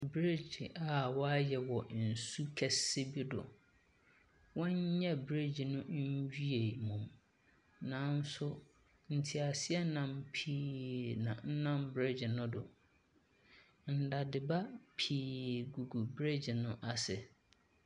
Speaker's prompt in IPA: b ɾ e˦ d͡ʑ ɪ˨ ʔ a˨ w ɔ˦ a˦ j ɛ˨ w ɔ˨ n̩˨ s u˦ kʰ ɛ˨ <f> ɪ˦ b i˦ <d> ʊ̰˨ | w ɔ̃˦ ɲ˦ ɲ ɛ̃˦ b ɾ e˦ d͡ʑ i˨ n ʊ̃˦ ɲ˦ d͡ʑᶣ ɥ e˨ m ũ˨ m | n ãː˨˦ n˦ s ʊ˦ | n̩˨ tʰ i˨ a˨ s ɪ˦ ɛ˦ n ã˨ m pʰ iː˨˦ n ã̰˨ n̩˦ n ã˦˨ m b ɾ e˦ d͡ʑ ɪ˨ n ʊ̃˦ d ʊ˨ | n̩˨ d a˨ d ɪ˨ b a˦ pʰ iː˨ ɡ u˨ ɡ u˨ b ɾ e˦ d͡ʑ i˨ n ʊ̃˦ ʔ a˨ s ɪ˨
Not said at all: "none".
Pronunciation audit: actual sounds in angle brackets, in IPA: s, d

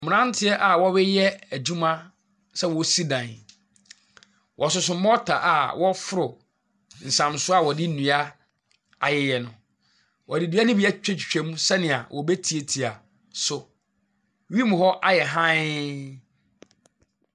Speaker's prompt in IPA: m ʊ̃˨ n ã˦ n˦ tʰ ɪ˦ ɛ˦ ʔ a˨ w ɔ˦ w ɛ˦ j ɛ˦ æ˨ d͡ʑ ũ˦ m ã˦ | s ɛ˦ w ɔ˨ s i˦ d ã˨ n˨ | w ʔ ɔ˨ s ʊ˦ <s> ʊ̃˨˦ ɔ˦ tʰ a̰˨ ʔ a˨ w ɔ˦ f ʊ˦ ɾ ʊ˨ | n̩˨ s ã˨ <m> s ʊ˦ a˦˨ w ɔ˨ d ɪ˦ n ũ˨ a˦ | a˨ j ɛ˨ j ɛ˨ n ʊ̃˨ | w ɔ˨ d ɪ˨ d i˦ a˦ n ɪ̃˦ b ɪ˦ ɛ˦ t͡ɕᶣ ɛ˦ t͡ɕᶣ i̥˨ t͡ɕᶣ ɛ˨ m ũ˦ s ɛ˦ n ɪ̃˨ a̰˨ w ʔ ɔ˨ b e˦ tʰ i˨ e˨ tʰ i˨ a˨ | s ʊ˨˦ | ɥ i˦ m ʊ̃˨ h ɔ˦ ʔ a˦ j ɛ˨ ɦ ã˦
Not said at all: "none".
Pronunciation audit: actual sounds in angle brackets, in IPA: s, m

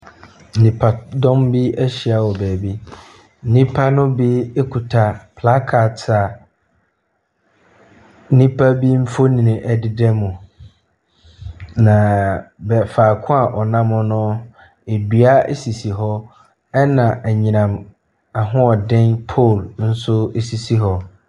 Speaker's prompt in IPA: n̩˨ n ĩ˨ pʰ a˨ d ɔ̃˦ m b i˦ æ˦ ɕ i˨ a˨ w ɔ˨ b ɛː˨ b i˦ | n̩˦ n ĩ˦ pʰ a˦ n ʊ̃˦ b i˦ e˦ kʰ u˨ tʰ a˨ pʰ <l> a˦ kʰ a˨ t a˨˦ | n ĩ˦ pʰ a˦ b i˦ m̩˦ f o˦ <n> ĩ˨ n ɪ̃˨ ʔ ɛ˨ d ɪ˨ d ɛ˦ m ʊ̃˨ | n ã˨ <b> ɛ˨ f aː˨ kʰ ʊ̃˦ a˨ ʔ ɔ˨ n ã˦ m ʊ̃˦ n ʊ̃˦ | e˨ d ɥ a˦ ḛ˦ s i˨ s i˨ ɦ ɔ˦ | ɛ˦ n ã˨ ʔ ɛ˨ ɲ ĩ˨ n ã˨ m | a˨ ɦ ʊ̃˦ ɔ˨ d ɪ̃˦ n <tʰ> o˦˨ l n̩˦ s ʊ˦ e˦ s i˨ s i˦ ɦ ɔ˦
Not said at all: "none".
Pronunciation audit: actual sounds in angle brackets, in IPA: l, n, b, pʰ

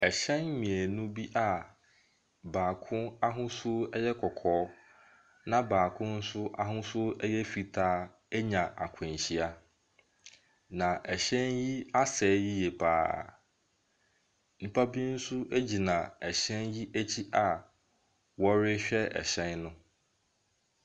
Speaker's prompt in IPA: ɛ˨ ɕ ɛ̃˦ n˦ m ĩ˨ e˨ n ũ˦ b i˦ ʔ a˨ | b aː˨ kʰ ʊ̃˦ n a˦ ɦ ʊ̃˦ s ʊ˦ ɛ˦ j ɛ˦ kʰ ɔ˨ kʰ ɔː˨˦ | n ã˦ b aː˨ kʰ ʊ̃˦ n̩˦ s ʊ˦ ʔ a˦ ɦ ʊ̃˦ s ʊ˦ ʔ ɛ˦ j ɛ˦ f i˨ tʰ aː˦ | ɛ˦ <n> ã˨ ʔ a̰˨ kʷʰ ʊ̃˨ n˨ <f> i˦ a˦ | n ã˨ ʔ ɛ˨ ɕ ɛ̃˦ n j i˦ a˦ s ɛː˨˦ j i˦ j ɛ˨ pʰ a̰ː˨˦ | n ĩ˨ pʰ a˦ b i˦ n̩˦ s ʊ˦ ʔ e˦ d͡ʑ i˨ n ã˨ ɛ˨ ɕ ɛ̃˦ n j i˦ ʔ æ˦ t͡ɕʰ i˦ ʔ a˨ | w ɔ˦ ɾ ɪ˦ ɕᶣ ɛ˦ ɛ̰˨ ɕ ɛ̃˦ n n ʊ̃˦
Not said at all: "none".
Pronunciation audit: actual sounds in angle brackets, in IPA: ɲ, ɕ

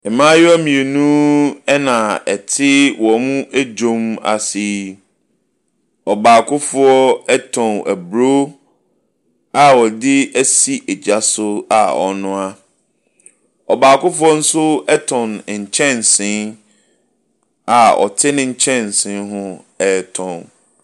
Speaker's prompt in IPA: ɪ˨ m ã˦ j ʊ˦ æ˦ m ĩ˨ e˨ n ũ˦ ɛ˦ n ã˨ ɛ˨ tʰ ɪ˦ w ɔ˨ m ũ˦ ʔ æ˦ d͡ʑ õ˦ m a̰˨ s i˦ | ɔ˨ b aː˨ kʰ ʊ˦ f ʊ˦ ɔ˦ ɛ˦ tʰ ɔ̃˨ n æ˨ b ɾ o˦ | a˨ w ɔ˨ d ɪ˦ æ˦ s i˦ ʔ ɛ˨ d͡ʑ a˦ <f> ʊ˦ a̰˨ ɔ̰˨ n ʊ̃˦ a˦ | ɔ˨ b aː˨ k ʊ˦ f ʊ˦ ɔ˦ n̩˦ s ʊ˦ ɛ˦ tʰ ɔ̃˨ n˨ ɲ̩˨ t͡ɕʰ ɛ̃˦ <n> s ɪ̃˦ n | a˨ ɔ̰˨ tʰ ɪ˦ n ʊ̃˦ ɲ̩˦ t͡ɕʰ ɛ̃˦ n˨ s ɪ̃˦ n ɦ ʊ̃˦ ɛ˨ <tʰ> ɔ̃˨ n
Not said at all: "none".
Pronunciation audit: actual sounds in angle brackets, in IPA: s, n, tʰ

